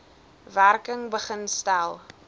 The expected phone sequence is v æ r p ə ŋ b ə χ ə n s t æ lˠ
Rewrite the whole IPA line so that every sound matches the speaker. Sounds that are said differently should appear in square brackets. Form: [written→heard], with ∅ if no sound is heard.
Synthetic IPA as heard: v æ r [p→k] ə ŋ b ə χ ə n s t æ lˠ

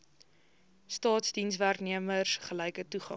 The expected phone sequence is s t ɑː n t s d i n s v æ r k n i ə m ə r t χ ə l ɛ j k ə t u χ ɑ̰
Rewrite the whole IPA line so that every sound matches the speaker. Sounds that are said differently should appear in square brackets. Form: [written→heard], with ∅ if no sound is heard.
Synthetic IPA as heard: s t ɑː [n→∅] t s d i n s v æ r k n i ə m ə r [t→s] χ ə l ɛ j k ə t u χ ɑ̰

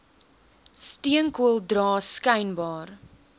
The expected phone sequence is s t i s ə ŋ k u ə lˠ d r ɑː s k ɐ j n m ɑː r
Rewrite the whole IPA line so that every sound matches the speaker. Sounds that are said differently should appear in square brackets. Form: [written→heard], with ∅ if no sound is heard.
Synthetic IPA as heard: s t i [s→∅] ə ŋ k u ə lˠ d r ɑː s k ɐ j n [m→b] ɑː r

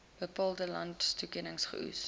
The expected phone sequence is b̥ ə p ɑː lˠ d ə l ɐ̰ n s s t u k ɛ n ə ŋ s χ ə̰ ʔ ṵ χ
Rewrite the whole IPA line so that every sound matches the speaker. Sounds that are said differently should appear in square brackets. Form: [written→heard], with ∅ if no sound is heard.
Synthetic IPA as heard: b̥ ə p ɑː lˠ d ə l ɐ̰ n [s→t] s t u k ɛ n ə ŋ s χ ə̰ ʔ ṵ [χ→s]

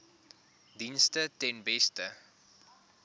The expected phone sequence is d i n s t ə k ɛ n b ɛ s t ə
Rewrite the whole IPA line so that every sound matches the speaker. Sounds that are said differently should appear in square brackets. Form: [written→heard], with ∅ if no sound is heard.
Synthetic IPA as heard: d i n s t ə [k→t] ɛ n b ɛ s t ə

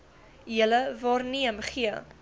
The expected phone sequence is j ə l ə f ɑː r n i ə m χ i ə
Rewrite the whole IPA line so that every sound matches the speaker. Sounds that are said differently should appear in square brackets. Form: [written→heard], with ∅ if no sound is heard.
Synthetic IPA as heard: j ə l ə [f→v] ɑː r n i ə m χ i ə

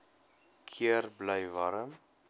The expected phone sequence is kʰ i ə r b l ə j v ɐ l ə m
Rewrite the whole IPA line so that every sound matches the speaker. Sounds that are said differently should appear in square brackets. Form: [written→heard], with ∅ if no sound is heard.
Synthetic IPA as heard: kʰ i ə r b l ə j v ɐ [l→ɾ] ə m

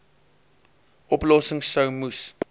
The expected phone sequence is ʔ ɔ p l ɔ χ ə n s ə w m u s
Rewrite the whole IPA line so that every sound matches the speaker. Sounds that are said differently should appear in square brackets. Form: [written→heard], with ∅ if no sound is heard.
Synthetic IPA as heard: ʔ ɔ p l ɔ [χ→s] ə [n→ŋ] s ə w m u s

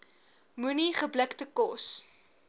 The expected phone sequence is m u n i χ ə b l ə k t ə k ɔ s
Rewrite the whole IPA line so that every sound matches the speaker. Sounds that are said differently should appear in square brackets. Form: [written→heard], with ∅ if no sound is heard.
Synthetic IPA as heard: m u n i χ ə b l ə k t ə k ɔ s

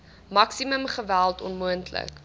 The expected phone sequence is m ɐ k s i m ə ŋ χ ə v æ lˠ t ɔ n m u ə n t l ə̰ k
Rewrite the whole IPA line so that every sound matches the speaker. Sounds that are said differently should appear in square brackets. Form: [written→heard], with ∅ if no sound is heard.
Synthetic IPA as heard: m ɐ k s i m ə [ŋ→m] χ ə v æ lˠ t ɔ n m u ə n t l ə̰ k

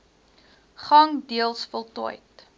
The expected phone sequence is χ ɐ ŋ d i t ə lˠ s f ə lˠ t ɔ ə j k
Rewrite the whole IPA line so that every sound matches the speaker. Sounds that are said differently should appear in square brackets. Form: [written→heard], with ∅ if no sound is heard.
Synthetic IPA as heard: χ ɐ ŋ d i [t→∅] ə lˠ s f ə lˠ t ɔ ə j [k→t]

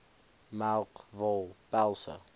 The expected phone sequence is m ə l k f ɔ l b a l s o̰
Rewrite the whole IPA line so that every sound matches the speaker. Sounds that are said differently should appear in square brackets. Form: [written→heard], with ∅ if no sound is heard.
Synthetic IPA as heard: m [ə→a] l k [f→v] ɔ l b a l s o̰

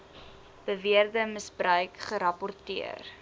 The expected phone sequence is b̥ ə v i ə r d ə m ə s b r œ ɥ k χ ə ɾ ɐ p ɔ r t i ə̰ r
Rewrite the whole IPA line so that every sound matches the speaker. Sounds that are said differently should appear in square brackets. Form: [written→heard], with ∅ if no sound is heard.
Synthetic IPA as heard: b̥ ə v i ə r d ə m ə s b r œ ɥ k χ ə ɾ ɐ p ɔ r t i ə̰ r

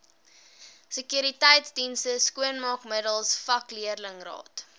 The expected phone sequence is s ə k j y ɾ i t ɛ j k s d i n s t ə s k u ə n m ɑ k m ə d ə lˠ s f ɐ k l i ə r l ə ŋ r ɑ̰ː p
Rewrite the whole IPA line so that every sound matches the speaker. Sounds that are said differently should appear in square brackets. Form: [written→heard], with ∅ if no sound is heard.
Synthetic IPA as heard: s ə k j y ɾ i t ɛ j [k→t] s d i n s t ə s k u ə n m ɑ k m ə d ə lˠ s f ɐ k l i ə r l ə ŋ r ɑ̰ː [p→t]

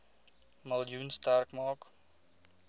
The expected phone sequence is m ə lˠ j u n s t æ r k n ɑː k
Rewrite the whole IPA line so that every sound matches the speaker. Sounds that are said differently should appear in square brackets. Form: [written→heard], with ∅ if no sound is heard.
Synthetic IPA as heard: m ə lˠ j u n s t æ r k [n→m] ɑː k

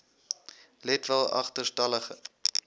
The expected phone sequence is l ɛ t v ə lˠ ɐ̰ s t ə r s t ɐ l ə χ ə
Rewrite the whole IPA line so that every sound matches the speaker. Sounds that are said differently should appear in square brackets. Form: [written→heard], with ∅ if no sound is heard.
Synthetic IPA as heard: l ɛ t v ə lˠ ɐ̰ [s→χ] t ə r s t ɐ l ə χ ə

